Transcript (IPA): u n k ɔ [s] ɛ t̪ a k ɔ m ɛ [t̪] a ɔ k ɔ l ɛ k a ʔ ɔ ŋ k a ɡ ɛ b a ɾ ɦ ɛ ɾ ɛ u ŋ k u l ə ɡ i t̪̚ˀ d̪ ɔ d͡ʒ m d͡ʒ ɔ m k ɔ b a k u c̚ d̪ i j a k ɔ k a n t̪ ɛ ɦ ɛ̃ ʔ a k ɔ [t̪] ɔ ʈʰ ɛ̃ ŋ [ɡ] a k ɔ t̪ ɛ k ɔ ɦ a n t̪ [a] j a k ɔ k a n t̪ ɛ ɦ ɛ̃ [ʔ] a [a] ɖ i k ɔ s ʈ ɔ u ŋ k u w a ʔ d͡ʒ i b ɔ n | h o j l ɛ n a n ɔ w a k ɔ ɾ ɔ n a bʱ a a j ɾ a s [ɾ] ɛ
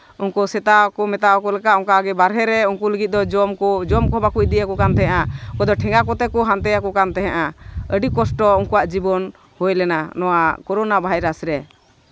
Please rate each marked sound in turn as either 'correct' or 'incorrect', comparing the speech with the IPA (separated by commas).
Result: correct, correct, incorrect, correct, incorrect, correct, incorrect, correct